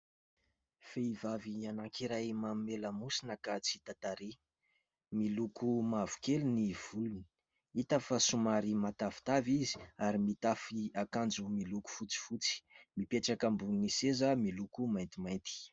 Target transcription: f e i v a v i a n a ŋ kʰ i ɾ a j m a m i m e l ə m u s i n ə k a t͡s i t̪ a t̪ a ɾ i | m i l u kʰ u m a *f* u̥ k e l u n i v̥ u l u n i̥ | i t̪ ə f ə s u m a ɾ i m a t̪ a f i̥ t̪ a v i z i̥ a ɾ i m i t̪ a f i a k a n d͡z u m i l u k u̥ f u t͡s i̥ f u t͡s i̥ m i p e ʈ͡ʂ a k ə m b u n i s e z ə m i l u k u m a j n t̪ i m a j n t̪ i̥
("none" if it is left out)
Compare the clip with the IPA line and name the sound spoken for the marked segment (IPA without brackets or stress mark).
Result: v